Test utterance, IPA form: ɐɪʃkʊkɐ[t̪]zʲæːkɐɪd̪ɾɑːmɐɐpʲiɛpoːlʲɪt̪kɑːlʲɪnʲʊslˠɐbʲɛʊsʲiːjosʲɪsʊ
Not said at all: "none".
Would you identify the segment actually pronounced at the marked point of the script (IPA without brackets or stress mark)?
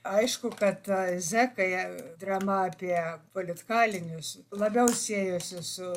t̪